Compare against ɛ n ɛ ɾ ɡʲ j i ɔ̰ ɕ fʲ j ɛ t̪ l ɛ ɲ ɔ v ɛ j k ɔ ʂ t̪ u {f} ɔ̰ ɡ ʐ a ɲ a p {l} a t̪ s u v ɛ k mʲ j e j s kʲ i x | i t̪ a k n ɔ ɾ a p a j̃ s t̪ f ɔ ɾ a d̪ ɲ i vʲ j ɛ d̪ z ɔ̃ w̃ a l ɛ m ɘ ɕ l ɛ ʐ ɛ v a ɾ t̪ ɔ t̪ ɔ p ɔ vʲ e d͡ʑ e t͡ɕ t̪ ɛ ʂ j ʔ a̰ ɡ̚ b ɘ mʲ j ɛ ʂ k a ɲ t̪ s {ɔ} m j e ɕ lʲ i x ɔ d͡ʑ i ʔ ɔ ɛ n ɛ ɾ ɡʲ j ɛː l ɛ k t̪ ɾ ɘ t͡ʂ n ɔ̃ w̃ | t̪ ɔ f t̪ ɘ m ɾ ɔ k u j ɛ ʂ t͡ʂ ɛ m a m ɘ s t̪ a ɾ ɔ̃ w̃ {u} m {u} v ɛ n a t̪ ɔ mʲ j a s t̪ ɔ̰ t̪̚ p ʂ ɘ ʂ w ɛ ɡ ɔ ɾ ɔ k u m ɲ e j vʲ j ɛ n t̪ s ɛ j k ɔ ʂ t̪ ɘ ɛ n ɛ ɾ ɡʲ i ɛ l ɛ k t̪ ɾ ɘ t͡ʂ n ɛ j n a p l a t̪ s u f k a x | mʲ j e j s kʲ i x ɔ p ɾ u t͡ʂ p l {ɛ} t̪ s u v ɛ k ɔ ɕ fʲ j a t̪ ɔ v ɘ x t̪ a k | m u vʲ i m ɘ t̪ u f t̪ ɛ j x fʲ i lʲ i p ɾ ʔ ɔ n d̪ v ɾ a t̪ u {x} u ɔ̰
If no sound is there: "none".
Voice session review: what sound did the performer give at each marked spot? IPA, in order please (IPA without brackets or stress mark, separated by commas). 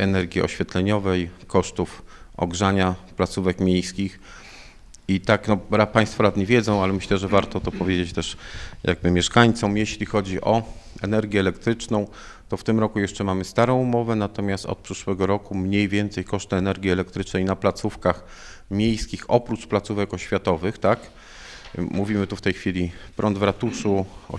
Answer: f, l, ɔ, u, ɔ, a, ʂ